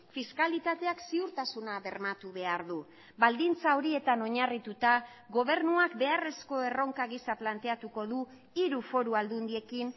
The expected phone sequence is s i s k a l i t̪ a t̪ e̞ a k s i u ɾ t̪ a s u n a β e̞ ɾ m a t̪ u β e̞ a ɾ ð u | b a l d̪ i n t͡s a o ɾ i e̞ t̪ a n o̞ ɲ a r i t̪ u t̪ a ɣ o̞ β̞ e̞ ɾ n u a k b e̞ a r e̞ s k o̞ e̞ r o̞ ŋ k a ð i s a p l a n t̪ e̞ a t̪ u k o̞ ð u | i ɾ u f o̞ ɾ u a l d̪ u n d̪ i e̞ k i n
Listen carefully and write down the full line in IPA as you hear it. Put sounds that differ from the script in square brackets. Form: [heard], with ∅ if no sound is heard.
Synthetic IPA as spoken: [f] i s k a l i t̪ a t̪ e̞ a k s i u ɾ t̪ a s u n a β e̞ ɾ m a t̪ u β e̞ a ɾ ð u | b a l d̪ i n t͡s a o ɾ i e̞ t̪ a n o̞ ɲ a r i t̪ u t̪ a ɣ o̞ β̞ e̞ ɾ n u a k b e̞ a r e̞ s k o̞ e̞ r o̞ ŋ k a [ɣ] i s a p l a n t̪ e̞ a t̪ u k o̞ ð u | i ɾ u f o̞ ɾ u a l d̪ u n d̪ i e̞ k i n